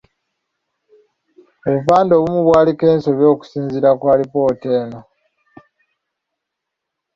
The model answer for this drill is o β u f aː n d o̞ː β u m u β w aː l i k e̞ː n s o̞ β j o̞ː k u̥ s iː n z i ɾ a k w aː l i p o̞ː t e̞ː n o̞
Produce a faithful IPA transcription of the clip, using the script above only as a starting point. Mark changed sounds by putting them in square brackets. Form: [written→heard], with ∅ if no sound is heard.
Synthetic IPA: o β u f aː n d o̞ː β u m u β w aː l i k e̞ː n s o̞ β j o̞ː k u̥ s iː n z i ɾ a k w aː l i p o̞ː t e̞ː n o̞